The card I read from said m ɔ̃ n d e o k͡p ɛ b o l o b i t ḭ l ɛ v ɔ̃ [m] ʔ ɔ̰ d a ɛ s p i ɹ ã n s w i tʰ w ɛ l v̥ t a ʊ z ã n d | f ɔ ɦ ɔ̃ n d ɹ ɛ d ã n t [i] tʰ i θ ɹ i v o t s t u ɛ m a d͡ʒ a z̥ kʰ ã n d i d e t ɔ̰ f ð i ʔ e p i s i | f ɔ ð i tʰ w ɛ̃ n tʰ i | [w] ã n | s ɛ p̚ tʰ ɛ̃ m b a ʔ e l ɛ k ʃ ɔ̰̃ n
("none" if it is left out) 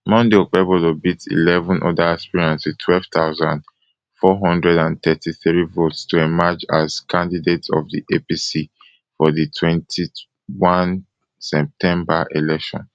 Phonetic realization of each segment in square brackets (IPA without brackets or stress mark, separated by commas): n, ɛ, w